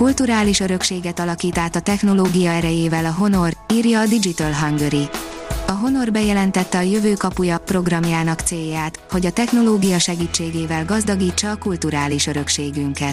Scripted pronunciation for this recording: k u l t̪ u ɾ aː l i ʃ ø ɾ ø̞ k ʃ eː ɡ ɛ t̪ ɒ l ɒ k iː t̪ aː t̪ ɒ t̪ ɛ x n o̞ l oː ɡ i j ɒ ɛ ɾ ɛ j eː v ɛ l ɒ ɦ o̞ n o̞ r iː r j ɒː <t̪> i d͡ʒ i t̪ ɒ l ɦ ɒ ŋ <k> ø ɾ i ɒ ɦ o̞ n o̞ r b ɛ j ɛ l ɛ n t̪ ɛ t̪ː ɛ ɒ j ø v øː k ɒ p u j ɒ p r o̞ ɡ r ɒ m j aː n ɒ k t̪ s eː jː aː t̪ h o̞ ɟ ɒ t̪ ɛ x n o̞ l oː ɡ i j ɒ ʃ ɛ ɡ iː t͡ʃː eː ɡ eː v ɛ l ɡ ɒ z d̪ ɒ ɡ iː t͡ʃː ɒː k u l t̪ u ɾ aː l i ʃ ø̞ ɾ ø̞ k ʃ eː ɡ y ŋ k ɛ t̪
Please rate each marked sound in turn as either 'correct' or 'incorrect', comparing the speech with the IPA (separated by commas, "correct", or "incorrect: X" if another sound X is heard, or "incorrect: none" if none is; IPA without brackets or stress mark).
incorrect: d̪, incorrect: ɡ